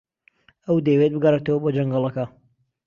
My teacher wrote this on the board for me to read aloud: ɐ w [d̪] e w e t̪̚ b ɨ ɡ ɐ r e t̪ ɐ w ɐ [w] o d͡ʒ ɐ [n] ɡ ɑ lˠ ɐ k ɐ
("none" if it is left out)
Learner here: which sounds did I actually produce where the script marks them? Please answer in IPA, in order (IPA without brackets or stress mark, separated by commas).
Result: d̪, b, ŋ